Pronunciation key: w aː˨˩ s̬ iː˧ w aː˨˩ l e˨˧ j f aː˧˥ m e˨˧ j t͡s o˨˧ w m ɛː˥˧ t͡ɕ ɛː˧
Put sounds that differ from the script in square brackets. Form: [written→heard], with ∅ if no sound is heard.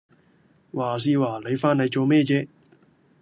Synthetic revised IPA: w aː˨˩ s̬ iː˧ w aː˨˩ l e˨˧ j f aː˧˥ [m→n] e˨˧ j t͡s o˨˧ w m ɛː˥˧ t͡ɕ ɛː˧